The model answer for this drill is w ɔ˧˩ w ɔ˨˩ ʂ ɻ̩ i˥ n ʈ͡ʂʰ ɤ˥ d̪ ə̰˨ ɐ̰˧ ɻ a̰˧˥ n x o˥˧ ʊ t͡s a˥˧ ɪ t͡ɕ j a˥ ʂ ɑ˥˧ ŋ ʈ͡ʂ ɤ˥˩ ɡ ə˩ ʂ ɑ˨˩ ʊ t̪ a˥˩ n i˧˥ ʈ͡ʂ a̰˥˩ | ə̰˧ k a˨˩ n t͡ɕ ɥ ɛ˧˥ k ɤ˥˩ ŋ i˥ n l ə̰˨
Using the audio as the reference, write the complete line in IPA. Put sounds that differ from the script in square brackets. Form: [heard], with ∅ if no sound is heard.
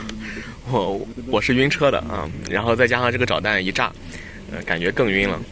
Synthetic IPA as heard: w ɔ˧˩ w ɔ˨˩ ʂ ɻ̩ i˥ n ʈ͡ʂʰ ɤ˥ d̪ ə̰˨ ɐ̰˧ ɻ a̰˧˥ n x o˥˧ ʊ t͡s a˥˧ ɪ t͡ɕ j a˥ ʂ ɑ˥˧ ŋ ʈ͡ʂ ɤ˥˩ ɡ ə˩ [ʈ͡ʂ] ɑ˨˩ ʊ t̪ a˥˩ n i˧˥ ʈ͡ʂ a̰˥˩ | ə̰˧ k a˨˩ n t͡ɕ ɥ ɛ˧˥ k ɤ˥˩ ŋ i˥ n l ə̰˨